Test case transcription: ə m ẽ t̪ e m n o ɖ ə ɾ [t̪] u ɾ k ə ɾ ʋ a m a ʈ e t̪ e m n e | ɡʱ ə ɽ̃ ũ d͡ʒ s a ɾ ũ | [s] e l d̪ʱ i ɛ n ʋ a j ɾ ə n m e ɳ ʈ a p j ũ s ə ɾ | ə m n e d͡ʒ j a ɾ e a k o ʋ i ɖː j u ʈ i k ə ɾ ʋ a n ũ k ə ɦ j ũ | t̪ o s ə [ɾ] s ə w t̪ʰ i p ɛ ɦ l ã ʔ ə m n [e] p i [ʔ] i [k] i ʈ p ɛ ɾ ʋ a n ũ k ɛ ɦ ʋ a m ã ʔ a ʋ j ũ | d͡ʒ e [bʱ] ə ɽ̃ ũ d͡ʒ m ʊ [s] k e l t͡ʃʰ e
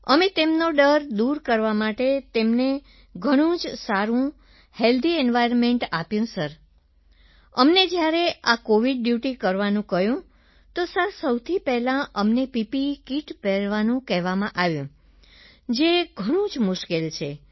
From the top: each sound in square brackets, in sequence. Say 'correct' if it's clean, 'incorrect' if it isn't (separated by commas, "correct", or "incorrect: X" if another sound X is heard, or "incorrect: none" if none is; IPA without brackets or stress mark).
incorrect: d̪, incorrect: h, correct, correct, incorrect: p, correct, incorrect: ɡʱ, incorrect: ʃ